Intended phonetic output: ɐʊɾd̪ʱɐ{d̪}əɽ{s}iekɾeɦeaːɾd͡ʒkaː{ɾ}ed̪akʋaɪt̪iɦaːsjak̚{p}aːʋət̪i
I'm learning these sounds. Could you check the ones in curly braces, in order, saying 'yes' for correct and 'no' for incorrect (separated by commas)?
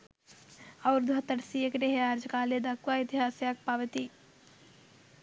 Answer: no, yes, no, yes